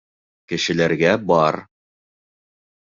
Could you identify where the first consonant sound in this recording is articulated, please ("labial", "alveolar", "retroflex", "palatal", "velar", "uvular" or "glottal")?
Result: velar